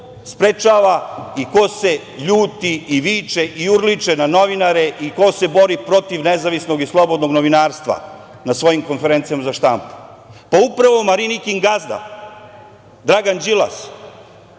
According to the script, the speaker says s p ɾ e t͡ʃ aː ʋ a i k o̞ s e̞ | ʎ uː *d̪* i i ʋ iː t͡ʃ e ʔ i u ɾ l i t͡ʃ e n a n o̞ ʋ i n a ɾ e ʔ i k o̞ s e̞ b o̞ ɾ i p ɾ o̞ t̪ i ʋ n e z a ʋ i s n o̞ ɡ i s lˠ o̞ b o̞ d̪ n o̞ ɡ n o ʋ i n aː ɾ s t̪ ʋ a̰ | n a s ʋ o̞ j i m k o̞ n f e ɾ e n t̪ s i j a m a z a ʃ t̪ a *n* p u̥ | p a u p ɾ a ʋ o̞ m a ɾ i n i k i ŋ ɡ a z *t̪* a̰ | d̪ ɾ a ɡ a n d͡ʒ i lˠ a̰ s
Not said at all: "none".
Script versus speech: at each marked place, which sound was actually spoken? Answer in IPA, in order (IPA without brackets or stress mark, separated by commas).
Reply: t̪, m, d̪